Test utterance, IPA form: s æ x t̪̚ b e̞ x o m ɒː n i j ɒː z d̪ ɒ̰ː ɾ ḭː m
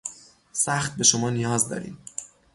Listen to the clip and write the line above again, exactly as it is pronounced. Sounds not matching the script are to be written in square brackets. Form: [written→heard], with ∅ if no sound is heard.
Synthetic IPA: s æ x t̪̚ b e̞ [x→ʃ] o m ɒː n i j ɒː z d̪ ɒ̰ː ɾ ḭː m